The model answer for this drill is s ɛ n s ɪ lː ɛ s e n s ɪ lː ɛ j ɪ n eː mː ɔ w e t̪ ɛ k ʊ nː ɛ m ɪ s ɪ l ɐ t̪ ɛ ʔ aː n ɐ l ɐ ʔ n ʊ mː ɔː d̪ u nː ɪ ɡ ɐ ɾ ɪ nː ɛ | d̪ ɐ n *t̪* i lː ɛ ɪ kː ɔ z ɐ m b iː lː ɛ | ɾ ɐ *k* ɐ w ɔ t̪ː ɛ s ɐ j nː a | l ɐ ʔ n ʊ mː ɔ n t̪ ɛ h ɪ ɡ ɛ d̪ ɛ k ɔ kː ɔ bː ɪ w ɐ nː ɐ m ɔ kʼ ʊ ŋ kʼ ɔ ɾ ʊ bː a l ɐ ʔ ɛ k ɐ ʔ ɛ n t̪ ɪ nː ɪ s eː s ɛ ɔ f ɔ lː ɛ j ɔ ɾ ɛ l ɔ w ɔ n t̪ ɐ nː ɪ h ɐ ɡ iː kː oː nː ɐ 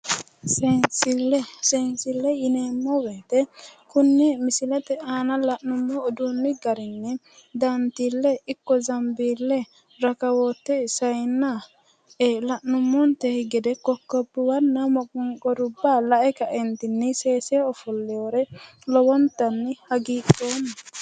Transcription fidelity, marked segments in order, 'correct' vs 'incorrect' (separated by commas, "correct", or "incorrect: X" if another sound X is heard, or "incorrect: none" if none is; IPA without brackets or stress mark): correct, correct